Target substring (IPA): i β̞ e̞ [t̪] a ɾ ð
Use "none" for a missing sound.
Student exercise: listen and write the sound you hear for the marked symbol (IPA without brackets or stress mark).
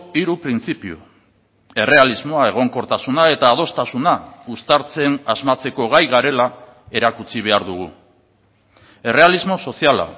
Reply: none